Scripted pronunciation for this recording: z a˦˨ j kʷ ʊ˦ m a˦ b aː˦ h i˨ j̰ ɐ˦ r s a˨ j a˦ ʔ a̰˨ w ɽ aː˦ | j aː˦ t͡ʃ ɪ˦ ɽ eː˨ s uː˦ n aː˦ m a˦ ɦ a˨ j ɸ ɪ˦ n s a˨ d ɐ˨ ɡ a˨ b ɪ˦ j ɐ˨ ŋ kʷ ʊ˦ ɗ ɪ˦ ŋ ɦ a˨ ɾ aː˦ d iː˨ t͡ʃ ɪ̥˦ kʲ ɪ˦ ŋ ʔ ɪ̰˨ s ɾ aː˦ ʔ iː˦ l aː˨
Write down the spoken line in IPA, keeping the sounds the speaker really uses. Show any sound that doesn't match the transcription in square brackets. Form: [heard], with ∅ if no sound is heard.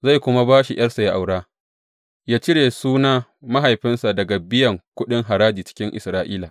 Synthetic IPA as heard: z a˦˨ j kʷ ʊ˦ m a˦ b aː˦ [ʃ] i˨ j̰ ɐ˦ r s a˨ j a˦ ʔ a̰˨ w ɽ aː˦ | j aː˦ t͡ʃ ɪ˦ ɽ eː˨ s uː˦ n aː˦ m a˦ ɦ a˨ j ɸ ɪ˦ n s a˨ d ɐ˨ ɡ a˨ b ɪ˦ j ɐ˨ ŋ kʷ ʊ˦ ɗ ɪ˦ ŋ ɦ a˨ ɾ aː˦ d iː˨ t͡ʃ ɪ̥˦ kʲ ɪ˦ ŋ ʔ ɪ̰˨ s ɾ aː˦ ʔ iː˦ l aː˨